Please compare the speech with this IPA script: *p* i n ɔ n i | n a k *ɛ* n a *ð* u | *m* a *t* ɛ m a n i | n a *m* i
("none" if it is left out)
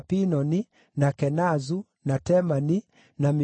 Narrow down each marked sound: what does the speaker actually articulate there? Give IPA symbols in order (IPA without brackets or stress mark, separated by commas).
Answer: p, ɛ, z, n, t, m